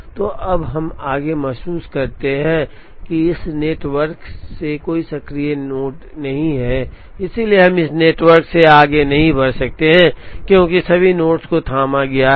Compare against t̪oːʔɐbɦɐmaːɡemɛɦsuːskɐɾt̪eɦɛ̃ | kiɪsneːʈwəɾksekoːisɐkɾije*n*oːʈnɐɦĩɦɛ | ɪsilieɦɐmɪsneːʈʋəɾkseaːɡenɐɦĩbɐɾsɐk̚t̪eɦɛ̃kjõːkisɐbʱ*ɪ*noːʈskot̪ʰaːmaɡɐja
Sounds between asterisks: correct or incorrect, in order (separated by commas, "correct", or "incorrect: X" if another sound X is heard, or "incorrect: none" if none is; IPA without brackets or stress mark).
correct, incorrect: i